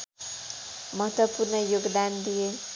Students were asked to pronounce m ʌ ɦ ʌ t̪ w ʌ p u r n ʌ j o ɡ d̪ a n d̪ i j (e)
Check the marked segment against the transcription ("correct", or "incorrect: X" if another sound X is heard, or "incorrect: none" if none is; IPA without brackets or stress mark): correct